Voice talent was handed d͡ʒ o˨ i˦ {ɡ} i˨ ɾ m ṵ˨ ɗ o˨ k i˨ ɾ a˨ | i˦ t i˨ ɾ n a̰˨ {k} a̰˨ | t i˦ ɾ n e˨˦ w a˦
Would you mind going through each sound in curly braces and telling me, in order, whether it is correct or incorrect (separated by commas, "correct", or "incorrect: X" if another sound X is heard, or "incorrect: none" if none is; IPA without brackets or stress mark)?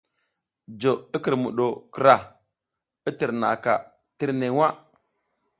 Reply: incorrect: k, correct